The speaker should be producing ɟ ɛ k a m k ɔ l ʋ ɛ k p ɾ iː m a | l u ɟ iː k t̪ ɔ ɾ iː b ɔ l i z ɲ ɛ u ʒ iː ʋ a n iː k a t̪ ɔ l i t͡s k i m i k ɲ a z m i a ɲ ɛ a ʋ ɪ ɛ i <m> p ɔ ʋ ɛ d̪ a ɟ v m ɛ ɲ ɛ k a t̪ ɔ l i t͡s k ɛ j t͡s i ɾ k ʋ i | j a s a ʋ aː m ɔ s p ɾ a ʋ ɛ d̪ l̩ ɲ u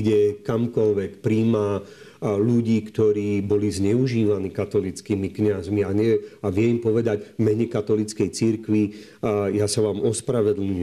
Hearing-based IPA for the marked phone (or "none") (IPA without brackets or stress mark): m